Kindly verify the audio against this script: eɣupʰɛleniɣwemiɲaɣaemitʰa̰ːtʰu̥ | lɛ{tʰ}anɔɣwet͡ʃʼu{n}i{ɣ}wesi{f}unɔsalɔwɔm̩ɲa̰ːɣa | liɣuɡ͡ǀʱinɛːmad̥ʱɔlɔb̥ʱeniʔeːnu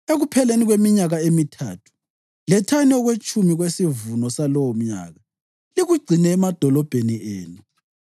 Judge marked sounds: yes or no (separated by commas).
yes, no, yes, no